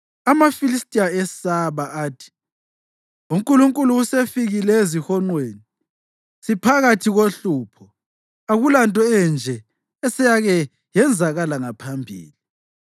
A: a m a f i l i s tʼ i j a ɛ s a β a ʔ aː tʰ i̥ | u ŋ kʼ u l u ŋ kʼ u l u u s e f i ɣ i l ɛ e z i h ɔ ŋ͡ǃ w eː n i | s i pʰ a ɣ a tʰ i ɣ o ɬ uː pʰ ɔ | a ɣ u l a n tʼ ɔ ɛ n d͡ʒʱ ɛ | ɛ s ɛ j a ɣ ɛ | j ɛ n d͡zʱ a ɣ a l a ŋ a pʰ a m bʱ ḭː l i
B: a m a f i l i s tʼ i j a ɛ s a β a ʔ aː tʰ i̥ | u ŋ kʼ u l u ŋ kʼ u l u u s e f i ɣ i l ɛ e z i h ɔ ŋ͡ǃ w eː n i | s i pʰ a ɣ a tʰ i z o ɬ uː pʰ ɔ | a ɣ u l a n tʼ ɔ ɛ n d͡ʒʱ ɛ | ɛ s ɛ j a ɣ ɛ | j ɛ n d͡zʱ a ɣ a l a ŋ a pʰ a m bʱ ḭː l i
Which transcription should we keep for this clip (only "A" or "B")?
A